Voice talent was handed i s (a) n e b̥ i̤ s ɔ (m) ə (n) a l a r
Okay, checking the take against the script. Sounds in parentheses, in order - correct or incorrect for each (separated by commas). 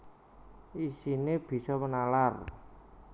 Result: incorrect, correct, correct